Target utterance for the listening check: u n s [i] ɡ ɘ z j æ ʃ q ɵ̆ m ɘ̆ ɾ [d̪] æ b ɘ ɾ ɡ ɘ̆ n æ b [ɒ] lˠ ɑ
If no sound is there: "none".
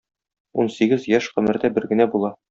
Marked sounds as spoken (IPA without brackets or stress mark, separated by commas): i, d̪, u